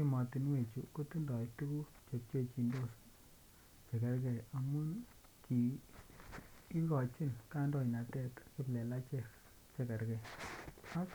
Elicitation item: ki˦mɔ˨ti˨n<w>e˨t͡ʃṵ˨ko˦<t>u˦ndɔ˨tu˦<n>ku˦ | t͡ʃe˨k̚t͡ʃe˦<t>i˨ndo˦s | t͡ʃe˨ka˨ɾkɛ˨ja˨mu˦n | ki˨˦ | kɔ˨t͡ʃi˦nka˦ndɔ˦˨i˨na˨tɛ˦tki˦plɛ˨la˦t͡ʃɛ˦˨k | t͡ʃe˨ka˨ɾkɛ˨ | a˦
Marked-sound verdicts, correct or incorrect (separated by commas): correct, correct, incorrect, incorrect